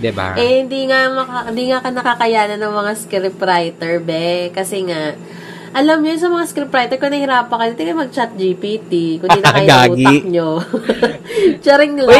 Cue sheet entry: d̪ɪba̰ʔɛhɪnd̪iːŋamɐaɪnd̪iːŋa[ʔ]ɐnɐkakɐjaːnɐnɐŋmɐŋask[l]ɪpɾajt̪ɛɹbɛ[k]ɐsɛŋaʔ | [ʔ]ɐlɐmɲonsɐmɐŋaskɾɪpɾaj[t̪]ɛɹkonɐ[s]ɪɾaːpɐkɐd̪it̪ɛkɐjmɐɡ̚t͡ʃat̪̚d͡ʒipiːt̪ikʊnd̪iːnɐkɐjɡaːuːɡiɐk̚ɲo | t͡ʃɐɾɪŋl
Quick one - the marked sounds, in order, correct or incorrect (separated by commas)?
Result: incorrect, incorrect, correct, correct, correct, incorrect